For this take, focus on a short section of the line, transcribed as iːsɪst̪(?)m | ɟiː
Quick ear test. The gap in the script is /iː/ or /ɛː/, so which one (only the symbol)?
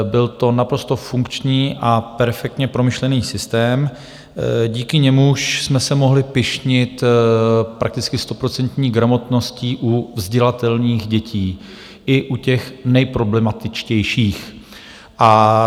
ɛː